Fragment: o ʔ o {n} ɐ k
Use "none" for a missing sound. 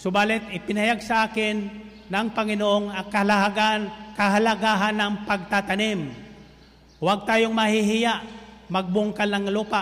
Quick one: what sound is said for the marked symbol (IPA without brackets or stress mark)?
ŋ